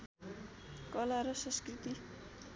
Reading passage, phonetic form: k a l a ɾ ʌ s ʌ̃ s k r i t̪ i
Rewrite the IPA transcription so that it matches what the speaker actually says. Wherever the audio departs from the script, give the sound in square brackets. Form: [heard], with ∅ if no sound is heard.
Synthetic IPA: k [ʌ] l a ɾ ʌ s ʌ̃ s k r i t̪ i